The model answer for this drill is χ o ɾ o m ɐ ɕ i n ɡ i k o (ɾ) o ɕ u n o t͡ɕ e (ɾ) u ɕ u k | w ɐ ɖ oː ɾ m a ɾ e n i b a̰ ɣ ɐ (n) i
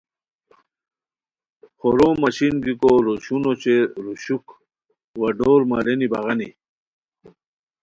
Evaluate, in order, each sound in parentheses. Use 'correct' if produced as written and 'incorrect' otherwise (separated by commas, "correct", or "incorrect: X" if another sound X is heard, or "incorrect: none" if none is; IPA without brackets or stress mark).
correct, correct, correct